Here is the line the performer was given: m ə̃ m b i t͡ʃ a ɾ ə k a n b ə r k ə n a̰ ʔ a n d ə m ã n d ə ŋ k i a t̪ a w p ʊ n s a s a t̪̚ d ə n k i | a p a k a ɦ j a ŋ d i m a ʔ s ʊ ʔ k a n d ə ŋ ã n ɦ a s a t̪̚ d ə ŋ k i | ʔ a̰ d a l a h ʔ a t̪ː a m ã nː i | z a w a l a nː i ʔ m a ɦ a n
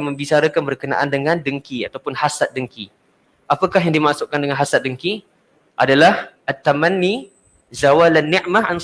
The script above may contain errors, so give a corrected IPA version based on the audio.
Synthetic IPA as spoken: m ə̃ m b i t͡ʃ a ɾ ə k a n b ə r k ə n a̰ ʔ a n d ə ŋ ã n d ə ŋ k i a t̪ a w p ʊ n h a s a t̪̚ d ə ŋ k i | a p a k a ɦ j a ŋ d i m a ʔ s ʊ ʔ k a n d ə ŋ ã n ɦ a s a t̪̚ d ə ŋ k i | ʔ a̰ d a l a h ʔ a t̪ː a m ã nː i | z a w a l a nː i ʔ m a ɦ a n